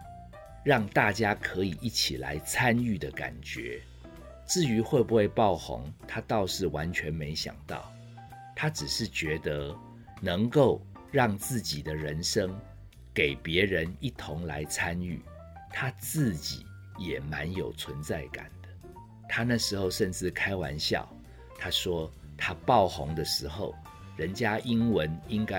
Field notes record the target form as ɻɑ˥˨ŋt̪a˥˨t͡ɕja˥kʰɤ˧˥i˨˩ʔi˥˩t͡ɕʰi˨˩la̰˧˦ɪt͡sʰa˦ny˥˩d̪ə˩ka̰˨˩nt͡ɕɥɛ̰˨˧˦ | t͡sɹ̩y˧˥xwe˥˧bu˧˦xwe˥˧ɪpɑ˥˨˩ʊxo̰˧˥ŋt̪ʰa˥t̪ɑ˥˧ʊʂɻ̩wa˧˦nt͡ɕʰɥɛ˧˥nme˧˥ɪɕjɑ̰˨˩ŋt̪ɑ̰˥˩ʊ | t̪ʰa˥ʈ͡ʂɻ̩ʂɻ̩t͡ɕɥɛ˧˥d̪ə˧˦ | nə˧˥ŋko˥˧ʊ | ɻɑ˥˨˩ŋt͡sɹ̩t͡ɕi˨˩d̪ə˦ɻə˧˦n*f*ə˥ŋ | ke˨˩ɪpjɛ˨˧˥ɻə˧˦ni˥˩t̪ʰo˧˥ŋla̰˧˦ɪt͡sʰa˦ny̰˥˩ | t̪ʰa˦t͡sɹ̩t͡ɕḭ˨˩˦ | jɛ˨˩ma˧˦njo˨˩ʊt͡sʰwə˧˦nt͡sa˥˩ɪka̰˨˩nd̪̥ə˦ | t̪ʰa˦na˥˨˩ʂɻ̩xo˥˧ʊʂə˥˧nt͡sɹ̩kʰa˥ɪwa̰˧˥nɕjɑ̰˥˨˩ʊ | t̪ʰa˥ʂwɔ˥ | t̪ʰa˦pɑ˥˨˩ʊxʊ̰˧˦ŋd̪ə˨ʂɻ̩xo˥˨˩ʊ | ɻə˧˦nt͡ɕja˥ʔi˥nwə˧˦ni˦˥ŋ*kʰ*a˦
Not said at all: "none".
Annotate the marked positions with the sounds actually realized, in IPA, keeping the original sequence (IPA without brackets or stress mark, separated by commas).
ʂ, k